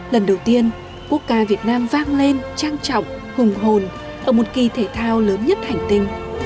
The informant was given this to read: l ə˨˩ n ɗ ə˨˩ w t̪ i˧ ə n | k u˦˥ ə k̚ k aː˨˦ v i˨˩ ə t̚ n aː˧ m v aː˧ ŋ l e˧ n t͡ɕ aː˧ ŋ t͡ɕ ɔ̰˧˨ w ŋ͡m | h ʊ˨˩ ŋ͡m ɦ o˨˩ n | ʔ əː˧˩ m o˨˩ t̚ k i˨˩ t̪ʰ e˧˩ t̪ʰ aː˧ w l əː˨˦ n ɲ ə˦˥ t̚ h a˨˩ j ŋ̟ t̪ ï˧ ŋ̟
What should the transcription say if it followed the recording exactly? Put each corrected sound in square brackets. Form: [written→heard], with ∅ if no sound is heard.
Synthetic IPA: l ə˨˩ n ɗ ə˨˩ w t̪ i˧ ə n | k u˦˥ ə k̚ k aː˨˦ v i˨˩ ə t̚ n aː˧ m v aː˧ ŋ l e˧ n t͡ɕ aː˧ ŋ t͡ɕ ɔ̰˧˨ w ŋ͡m | h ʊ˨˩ ŋ͡m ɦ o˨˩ n | ʔ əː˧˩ m o˨˩ t̚ k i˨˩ t̪ʰ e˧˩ t̪ʰ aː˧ w l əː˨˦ n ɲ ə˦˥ t̚ h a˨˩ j ŋ̟ t̪ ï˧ ŋ̟

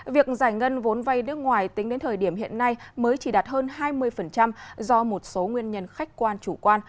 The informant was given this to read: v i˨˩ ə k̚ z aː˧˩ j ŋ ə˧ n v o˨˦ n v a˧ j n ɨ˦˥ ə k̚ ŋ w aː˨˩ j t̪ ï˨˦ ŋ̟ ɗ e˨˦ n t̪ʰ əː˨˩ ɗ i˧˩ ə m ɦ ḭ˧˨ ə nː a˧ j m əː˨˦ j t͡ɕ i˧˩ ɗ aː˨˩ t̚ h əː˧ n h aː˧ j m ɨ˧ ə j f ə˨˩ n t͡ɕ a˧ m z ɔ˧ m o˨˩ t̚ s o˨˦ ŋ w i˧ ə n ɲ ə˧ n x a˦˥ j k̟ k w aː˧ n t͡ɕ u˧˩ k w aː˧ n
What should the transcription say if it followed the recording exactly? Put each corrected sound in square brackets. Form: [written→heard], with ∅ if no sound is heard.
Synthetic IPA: v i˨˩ ə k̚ z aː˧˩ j ŋ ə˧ n v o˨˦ n v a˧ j n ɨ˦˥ ə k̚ ŋ w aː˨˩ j t̪ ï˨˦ ŋ̟ ɗ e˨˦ n t̪ʰ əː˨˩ ɗ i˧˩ ə m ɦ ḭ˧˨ ə nː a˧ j m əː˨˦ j t͡ɕ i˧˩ ɗ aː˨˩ t̚ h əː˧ n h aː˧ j m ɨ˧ ə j f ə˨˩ n t͡ɕ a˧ m z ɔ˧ m o˨˩ t̚ s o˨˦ ŋ w i˧ ə n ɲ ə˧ n x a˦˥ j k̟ k w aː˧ n t͡ɕ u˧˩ k w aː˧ n

